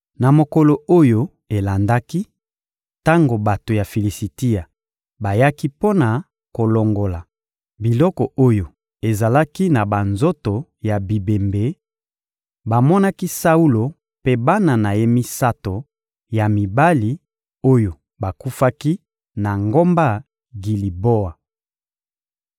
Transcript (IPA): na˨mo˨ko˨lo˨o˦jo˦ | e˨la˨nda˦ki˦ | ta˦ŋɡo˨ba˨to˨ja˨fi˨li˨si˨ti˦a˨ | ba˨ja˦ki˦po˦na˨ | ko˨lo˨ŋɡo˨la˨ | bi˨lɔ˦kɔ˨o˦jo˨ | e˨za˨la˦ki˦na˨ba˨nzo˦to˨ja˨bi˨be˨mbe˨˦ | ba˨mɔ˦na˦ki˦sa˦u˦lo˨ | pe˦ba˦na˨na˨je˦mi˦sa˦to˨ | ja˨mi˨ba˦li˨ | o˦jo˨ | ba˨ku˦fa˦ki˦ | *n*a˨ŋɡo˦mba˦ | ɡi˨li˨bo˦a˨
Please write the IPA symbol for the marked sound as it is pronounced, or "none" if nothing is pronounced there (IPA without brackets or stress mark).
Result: n